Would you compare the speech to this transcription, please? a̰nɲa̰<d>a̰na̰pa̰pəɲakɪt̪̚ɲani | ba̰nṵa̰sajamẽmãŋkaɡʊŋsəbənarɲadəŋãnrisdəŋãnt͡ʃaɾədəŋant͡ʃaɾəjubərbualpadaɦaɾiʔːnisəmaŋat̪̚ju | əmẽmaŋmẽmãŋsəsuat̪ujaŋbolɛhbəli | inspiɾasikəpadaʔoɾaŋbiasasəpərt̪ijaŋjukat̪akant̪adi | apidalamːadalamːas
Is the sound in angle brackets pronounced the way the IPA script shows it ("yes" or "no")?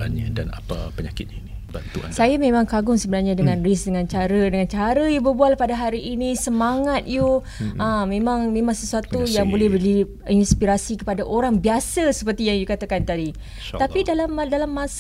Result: yes